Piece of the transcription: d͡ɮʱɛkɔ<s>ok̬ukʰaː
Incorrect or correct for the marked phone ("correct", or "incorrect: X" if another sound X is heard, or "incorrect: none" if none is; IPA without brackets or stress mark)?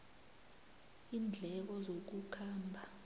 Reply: incorrect: z